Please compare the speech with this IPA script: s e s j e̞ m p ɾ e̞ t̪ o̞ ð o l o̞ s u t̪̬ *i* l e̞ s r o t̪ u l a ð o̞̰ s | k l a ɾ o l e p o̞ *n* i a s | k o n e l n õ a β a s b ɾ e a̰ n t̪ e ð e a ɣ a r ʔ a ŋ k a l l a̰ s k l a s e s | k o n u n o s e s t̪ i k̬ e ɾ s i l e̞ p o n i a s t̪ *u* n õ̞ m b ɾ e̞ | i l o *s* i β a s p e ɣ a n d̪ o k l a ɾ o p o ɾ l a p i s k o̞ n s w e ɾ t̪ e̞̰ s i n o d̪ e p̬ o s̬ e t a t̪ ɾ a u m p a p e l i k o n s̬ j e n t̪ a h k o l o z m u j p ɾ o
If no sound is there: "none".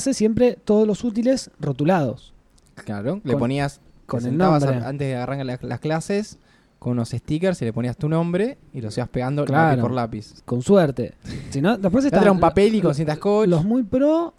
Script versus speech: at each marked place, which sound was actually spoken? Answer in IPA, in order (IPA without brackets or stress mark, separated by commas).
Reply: i, n, u, s